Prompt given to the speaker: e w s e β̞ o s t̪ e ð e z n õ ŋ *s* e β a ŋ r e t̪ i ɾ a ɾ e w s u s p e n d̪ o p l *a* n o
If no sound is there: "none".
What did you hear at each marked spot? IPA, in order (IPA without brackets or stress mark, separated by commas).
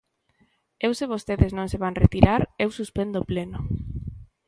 s, e